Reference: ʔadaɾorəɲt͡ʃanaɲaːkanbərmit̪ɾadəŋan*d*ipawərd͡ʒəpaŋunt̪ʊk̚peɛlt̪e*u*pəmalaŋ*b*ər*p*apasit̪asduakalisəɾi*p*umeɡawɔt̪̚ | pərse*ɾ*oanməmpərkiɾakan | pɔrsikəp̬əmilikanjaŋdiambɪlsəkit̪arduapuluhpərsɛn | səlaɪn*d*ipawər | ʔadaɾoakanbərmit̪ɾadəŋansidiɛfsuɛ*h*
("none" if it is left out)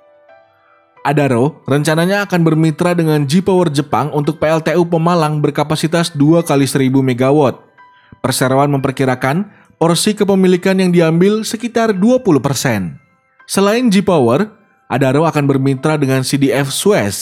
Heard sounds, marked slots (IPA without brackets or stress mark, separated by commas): d͡ʒ, u, b, k, b, ɾ, d͡ʒ, s